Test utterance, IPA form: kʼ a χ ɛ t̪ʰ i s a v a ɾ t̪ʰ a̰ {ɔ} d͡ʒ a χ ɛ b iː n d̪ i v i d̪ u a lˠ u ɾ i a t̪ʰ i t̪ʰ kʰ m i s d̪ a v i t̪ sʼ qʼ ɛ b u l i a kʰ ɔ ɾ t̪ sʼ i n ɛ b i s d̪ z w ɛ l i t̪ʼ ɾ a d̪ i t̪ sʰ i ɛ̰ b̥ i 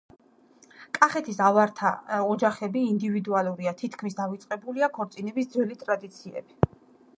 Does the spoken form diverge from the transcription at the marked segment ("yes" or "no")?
no